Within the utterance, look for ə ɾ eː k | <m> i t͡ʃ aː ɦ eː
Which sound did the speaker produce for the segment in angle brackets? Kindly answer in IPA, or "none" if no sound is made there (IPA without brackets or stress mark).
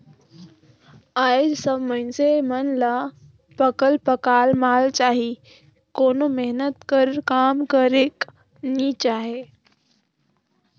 n